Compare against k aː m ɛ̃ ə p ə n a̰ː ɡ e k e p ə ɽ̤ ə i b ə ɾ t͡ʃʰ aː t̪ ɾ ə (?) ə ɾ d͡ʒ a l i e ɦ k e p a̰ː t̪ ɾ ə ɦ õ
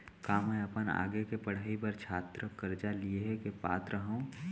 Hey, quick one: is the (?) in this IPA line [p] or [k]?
k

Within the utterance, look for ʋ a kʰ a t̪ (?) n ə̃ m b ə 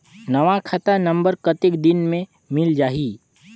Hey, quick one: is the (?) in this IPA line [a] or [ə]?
a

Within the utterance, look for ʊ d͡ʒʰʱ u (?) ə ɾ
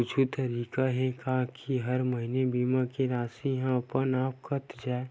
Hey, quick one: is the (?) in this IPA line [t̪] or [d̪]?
t̪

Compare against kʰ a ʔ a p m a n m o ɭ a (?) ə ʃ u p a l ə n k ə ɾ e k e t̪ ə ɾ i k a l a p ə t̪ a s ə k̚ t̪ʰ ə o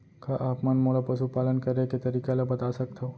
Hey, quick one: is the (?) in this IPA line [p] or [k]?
p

